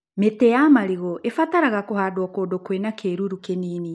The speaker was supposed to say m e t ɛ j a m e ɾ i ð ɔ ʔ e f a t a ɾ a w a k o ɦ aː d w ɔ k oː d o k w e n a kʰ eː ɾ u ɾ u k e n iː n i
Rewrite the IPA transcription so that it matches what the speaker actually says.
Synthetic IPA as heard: m e t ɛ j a m a ɾ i ɣ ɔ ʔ e f a t a ɾ a ɣ a k o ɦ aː d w ɔ k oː d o k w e n a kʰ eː ɾ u ɾ u k e n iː n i